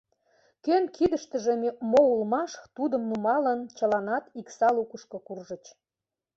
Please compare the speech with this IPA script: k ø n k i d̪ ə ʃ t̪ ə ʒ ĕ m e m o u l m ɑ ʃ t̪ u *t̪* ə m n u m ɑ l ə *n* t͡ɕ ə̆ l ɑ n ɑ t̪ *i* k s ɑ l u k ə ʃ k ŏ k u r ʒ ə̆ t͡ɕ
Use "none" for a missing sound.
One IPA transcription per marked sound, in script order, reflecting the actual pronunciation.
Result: d̪, n, i

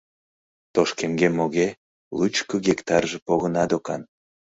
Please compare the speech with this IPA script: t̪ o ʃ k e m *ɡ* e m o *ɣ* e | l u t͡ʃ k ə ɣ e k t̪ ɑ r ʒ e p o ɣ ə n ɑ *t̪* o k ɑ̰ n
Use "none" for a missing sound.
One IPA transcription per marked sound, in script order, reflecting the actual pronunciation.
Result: ɡ, ɣ, d̪

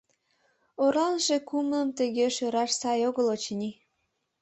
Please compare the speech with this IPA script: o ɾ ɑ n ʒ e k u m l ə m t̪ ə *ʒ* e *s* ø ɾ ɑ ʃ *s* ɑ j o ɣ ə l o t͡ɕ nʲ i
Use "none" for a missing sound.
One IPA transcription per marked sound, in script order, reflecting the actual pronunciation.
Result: ɣ, ʃ, s

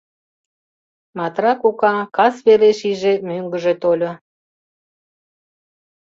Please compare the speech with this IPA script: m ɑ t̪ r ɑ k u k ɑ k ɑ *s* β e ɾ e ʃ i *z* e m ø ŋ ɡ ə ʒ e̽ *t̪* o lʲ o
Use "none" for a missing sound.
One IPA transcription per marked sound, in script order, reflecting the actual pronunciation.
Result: s, ʒ, t̪

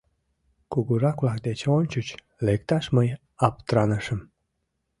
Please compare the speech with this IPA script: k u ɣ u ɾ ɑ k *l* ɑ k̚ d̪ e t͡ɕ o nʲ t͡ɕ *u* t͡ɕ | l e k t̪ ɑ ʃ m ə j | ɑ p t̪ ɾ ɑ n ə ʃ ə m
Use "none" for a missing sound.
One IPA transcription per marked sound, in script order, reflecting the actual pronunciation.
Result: l, u

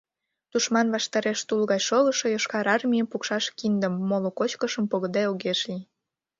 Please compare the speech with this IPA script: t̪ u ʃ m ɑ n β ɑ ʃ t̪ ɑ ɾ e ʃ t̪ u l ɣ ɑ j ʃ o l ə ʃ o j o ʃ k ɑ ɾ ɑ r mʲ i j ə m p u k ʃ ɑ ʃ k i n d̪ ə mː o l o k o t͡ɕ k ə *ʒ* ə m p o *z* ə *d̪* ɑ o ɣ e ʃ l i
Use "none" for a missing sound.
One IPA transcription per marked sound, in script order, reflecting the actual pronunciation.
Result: ʃ, ɣ, d̪

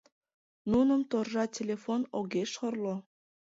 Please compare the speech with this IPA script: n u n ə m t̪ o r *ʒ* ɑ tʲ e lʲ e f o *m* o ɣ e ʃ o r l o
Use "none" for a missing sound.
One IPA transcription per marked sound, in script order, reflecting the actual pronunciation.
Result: ʒ, n

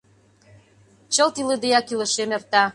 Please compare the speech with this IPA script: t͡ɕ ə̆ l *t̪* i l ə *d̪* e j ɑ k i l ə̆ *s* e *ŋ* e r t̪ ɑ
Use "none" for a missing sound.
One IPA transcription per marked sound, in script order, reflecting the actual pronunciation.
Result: t̪, d̪, ʃ, m

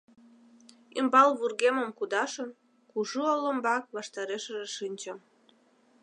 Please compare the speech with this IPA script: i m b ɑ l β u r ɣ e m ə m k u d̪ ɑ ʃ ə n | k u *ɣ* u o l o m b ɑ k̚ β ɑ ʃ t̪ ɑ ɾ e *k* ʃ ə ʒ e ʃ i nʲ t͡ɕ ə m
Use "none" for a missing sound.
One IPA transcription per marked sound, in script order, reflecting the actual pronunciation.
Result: ʒ, none

